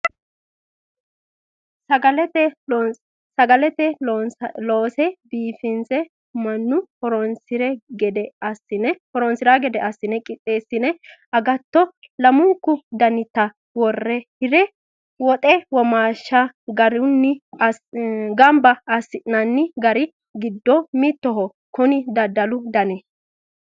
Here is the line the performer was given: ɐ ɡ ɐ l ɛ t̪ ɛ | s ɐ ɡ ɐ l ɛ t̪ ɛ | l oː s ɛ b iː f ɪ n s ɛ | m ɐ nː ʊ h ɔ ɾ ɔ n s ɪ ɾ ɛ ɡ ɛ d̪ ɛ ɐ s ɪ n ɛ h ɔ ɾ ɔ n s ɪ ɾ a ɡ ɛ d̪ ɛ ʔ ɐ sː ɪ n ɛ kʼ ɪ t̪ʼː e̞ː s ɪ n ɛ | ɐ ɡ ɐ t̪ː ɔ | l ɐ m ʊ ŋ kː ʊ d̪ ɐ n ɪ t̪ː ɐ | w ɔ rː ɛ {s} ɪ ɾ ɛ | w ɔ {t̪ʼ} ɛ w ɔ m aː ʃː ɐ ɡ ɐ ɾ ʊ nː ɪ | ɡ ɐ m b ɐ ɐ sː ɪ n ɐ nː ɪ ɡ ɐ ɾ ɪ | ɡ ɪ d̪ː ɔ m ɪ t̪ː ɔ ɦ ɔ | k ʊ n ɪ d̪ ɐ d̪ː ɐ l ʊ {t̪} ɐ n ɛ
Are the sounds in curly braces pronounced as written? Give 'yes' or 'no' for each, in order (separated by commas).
no, yes, no